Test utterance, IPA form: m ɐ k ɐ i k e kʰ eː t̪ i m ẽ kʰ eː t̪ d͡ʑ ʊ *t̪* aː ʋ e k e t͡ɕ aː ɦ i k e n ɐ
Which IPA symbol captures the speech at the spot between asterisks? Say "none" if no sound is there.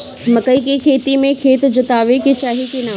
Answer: t̪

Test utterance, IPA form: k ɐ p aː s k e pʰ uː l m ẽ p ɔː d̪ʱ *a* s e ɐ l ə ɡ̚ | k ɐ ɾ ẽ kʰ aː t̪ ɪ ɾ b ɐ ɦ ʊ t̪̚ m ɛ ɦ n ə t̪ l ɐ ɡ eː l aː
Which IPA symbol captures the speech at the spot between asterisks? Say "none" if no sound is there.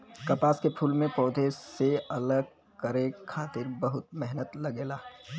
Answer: e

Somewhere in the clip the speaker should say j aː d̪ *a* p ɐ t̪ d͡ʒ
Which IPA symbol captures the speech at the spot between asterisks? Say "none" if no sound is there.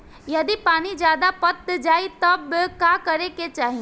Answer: a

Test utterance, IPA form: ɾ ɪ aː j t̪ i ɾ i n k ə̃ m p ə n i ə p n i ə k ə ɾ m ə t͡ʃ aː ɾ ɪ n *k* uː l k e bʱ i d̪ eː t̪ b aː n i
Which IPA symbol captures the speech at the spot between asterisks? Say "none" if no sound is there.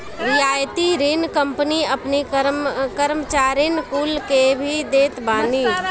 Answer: k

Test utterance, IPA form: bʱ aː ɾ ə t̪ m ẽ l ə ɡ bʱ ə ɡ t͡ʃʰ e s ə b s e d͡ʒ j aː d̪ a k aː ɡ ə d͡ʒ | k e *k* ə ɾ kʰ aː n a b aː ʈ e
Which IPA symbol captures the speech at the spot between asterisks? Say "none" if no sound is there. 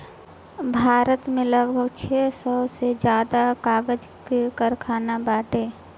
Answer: k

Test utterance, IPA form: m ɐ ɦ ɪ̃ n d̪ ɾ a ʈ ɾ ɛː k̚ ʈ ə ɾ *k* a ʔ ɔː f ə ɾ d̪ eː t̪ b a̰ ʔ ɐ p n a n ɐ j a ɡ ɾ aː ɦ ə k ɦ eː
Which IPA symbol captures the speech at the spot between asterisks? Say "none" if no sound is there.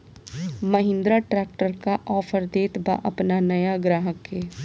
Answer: k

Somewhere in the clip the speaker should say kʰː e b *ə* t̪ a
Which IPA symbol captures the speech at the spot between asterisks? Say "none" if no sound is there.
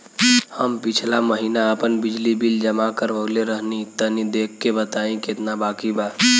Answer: ə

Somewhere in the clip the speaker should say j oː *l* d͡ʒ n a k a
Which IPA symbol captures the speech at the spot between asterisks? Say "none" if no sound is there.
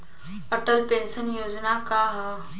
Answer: none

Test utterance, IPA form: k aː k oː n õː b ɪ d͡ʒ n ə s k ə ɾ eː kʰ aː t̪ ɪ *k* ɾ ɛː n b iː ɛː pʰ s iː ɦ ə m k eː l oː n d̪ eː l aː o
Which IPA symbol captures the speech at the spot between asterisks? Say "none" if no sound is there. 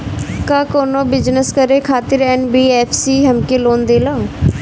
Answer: none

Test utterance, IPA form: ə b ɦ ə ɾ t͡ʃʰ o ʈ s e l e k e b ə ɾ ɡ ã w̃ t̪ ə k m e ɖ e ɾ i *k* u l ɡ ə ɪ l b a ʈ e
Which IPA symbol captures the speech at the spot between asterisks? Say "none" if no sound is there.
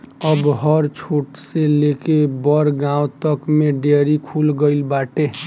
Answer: kʰ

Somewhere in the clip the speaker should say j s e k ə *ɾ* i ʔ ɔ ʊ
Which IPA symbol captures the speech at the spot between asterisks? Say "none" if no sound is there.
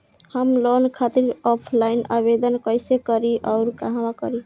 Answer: ɾ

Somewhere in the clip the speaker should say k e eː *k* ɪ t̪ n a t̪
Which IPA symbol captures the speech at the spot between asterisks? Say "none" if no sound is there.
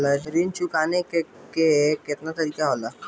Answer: k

